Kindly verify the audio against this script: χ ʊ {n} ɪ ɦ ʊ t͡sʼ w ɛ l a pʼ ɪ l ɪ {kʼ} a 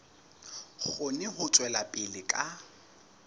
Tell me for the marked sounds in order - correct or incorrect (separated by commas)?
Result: correct, correct